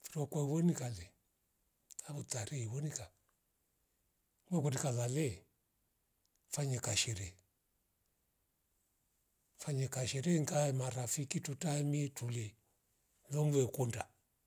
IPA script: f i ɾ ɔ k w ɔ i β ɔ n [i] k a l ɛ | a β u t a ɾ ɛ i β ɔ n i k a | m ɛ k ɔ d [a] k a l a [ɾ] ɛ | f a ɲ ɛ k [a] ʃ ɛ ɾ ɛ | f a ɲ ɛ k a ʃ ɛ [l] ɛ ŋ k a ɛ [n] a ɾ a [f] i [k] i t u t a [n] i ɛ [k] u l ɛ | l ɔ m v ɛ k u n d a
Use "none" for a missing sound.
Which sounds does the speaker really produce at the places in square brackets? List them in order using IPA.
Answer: i, i, l, a, ɾ, m, f, k, m, t

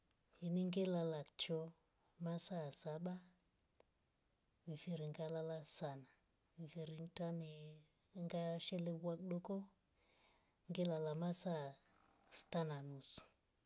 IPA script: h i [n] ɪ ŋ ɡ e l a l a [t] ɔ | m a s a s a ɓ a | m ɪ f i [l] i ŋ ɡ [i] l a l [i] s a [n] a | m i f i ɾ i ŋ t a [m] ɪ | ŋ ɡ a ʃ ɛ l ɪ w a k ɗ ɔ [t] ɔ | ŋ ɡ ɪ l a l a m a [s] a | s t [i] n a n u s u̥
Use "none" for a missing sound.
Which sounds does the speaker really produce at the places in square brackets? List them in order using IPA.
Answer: n, t͡ʃ, ɾ, a, a, n, m, k, s, a

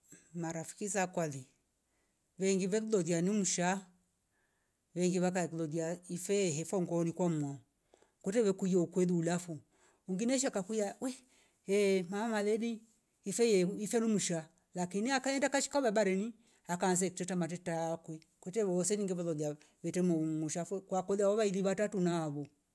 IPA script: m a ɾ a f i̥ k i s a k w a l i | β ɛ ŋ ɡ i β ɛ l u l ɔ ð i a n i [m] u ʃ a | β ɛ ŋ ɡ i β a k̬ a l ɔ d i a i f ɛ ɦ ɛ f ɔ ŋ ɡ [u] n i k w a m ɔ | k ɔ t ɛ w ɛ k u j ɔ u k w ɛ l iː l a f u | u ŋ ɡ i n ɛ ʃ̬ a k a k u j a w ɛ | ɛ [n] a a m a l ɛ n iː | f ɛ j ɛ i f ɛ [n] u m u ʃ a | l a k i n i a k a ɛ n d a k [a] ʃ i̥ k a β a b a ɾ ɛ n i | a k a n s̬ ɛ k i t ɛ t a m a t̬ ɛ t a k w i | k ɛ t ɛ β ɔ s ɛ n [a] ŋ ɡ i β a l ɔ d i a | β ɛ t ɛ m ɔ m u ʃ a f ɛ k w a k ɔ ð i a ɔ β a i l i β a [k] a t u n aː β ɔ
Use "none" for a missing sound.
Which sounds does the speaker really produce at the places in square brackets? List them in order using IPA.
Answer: m, ɔ, m, n, a, i, t

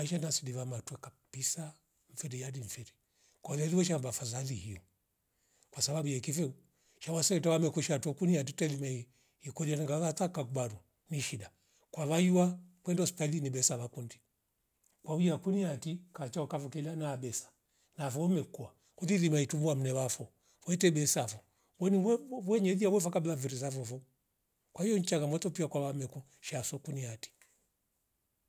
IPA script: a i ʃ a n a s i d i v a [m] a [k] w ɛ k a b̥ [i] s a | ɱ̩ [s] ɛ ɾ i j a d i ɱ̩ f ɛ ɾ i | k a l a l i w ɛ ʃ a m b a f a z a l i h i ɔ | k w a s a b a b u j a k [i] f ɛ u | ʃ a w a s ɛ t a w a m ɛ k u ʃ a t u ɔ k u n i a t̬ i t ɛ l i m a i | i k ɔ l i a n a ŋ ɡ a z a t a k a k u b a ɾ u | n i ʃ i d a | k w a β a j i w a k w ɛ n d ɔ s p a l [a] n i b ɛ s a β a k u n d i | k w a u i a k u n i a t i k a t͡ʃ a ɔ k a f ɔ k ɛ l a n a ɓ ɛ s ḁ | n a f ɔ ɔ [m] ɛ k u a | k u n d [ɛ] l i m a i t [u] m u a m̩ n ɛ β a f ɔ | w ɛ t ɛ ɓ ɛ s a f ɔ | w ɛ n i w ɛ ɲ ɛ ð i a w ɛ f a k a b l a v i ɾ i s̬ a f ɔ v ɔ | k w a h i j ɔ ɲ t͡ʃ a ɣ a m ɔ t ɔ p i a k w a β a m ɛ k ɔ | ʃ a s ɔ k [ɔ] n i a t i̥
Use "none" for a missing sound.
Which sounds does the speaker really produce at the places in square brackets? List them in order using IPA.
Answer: m, t, i, f, i, i, m, i, u, u

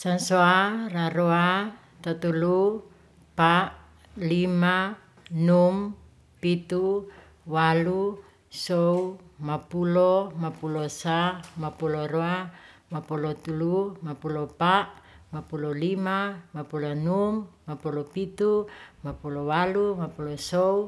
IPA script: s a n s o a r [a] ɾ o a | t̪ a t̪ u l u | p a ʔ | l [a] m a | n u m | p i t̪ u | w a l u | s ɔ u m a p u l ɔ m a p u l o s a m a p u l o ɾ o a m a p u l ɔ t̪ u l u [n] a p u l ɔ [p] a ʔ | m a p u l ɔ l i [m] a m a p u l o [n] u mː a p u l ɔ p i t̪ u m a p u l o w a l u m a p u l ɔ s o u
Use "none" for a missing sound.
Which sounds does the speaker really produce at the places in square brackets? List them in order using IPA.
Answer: a, i, m, p, m, n

